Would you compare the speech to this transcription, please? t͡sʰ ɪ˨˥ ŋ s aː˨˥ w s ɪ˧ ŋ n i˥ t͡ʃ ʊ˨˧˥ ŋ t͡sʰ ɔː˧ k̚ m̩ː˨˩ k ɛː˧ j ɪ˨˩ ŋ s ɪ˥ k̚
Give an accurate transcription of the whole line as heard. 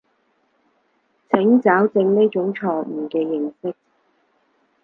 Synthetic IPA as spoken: t͡sʰ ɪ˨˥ ŋ t͡s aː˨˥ w t͡s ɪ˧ ŋ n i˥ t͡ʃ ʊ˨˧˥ ŋ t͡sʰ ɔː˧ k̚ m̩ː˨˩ k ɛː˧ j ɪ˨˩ ŋ s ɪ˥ k̚